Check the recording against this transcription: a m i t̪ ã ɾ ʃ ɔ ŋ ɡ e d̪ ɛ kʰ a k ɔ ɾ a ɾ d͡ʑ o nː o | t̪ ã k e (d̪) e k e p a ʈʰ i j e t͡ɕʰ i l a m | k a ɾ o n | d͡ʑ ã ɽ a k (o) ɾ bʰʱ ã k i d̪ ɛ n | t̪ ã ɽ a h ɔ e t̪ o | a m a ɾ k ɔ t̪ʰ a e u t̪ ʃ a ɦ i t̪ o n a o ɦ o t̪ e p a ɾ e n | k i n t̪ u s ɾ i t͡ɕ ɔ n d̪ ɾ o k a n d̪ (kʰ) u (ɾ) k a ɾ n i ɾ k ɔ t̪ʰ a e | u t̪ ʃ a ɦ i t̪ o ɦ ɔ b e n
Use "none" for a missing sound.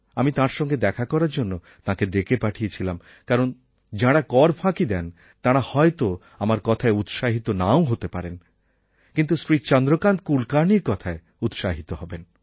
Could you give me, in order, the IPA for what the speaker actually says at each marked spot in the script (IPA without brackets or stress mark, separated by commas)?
d̪, ɔ, k, l